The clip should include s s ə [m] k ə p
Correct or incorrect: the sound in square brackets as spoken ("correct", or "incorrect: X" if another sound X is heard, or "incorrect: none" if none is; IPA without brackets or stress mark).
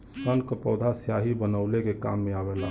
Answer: incorrect: n